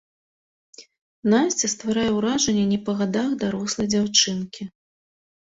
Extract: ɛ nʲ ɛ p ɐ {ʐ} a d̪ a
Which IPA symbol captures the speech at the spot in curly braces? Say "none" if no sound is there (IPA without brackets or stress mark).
ɣ